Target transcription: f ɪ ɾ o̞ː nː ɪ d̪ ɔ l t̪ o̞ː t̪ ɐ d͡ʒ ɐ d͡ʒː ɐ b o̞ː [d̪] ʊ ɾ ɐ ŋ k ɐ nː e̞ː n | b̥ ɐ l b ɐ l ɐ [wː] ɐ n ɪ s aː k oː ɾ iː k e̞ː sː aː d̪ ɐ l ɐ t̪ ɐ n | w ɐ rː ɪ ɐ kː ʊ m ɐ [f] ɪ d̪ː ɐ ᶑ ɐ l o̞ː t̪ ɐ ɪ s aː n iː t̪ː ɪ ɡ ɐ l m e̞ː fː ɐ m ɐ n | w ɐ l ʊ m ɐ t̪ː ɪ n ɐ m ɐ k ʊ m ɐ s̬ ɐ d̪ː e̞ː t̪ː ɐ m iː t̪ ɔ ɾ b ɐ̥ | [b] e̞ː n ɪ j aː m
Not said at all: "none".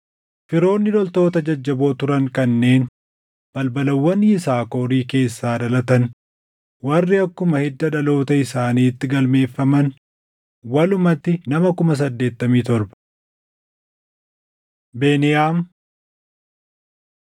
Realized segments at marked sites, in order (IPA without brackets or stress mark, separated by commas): t̪, wː, h, b